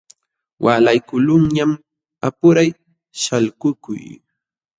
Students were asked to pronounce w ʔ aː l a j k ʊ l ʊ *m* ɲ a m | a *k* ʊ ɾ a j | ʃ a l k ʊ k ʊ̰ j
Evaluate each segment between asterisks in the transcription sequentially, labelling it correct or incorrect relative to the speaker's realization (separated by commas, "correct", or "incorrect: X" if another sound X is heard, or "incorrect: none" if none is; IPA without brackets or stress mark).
incorrect: ŋ, incorrect: p